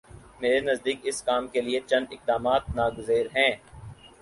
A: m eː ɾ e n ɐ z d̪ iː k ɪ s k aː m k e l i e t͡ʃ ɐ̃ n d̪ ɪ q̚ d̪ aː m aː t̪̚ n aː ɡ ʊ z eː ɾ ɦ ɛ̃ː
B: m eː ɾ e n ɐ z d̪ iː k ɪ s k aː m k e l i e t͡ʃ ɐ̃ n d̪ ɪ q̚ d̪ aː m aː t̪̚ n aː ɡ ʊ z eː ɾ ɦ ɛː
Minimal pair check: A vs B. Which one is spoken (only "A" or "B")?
A